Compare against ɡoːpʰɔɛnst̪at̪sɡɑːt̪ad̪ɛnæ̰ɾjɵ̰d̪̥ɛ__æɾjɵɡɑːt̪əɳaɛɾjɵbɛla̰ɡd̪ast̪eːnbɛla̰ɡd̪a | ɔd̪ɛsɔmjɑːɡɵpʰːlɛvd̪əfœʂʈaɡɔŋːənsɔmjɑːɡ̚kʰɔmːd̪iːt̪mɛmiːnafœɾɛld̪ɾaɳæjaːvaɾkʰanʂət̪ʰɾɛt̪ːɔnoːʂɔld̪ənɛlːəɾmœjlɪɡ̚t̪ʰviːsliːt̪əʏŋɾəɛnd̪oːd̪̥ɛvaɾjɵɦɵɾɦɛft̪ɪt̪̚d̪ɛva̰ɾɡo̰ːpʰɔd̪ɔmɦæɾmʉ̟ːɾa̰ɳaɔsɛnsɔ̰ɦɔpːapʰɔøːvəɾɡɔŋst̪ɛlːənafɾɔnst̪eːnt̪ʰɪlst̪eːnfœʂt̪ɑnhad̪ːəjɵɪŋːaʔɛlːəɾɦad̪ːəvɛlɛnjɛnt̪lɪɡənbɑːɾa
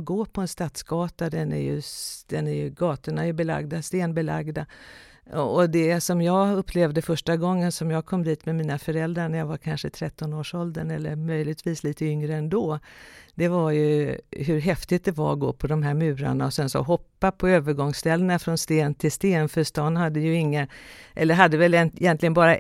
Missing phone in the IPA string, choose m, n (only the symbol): n